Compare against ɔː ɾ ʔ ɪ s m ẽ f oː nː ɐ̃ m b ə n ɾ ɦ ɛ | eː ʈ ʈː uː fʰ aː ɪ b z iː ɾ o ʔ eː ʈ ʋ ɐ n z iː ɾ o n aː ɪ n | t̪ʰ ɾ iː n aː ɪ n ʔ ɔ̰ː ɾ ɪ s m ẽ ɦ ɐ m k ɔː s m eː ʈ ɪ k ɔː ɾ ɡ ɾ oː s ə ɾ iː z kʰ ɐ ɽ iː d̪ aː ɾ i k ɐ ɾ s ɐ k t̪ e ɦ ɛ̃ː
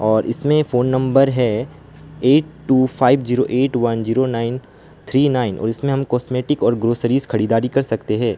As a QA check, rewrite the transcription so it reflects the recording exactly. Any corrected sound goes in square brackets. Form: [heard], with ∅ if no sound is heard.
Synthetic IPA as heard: ɔː ɾ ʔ ɪ s m ẽ f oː nː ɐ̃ m b ə [∅] ɾ ɦ ɛ | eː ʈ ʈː uː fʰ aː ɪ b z iː ɾ o ʔ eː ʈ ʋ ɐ n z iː ɾ o n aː ɪ n | t̪ʰ ɾ iː n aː ɪ n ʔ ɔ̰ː ɾ ɪ s m ẽ ɦ ɐ m k ɔː s m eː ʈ ɪ k ɔː ɾ ɡ ɾ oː s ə ɾ iː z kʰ ɐ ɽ iː d̪ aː ɾ i k ɐ ɾ s ɐ k t̪ e ɦ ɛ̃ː